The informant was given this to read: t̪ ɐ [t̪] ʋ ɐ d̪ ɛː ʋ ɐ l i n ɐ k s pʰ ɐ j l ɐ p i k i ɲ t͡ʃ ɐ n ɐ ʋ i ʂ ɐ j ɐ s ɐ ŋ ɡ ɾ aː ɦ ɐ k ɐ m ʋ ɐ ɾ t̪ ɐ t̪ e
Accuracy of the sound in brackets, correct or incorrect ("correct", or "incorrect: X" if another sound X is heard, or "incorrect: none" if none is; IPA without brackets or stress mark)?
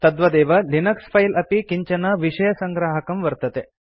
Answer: incorrect: d̪